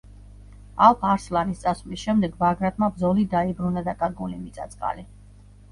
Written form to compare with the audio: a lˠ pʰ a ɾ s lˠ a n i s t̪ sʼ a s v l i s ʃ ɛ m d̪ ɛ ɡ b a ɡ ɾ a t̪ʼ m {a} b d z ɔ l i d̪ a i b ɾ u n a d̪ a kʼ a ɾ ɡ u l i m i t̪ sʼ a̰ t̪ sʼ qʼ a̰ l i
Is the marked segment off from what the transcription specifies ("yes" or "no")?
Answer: no